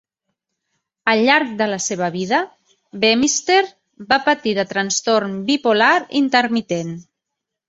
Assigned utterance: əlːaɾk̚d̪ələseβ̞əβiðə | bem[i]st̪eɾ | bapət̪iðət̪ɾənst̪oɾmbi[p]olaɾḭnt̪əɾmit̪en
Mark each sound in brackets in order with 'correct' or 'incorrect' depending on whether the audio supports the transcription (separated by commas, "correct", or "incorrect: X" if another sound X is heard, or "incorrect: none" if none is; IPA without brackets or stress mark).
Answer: correct, correct